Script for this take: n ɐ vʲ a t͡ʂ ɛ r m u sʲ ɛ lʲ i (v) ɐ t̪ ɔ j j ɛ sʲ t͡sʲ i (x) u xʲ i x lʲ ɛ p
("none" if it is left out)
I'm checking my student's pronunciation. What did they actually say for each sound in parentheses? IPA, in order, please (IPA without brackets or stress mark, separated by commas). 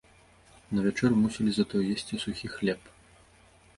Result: z, s